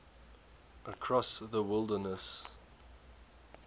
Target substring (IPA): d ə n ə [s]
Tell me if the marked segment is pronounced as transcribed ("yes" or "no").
yes